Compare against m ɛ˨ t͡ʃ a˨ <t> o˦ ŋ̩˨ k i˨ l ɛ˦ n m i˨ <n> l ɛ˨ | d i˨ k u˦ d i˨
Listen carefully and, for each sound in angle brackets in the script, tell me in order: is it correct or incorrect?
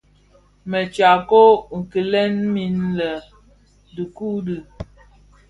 incorrect: k, correct

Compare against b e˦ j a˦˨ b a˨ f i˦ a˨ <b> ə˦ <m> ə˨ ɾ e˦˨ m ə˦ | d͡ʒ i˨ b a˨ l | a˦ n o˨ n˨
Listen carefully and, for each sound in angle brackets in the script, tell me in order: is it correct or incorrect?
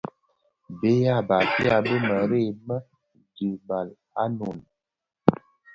correct, correct

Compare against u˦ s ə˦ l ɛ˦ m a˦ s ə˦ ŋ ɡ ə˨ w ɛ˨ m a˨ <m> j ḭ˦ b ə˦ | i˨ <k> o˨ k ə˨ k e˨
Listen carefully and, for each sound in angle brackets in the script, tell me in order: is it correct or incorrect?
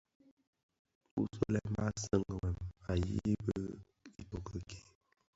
incorrect: none, incorrect: t

